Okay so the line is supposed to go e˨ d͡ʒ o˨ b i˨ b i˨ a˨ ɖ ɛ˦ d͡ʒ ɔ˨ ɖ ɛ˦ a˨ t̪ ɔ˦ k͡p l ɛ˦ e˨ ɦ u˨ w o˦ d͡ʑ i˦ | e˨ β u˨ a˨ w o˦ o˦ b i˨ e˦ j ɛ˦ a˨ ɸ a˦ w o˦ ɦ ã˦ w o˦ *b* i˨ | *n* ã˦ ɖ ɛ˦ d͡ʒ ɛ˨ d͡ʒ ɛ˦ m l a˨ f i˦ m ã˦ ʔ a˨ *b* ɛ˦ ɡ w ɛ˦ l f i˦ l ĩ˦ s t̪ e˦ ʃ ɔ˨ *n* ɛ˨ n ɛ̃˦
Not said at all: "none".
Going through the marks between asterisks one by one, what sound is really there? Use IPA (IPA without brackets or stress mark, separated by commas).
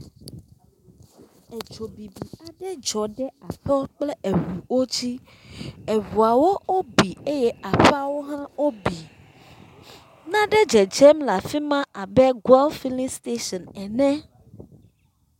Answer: b, n, b, n